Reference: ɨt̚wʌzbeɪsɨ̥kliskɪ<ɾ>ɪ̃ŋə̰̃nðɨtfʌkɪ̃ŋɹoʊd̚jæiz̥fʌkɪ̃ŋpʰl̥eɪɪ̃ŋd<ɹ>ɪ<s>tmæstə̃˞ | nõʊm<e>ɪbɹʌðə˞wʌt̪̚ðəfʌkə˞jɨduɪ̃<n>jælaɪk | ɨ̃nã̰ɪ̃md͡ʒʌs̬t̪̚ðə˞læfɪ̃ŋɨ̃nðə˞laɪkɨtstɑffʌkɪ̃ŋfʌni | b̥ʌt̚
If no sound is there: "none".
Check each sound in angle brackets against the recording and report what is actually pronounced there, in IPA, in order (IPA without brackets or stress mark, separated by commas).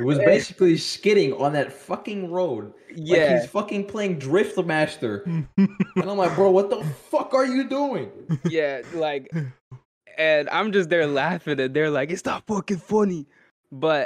ɾ, ɹ, f, a, ŋ